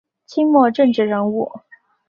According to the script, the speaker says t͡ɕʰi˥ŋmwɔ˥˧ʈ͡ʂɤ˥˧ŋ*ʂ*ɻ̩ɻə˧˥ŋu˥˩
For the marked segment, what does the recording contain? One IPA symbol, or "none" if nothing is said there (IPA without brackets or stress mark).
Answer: ʈ͡ʂ